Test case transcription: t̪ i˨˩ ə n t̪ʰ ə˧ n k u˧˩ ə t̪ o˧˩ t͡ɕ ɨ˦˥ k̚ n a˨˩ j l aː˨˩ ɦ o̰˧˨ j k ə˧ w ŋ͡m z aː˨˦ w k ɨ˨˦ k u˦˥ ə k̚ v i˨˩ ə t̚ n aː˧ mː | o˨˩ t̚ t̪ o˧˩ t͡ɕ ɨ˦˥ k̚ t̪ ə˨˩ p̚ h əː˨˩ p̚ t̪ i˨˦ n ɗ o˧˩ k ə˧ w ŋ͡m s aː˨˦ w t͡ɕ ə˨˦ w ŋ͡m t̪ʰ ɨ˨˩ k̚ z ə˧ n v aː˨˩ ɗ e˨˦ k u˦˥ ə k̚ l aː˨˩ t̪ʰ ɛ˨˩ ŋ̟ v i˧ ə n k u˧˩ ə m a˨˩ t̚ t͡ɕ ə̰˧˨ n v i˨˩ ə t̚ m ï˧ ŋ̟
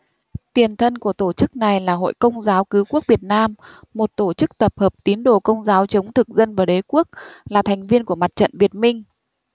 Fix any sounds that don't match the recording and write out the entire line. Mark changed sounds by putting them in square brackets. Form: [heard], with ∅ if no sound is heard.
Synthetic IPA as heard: t̪ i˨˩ ə n t̪ʰ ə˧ n k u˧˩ ə t̪ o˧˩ t͡ɕ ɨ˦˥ k̚ n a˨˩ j l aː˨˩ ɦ o̰˧˨ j k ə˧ w ŋ͡m z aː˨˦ w k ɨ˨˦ k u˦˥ ə k̚ v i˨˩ ə t̚ n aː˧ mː | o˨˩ t̚ t̪ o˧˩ t͡ɕ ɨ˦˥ k̚ t̪ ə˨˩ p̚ h əː˨˩ p̚ t̪ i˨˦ n ɗ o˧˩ k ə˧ w ŋ͡m [z] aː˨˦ w t͡ɕ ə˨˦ w ŋ͡m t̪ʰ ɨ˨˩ k̚ z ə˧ n v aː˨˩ ɗ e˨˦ k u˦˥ ə k̚ l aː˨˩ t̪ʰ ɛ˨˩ ŋ̟ v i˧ ə n k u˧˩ ə m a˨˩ t̚ t͡ɕ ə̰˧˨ n v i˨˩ ə t̚ m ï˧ ŋ̟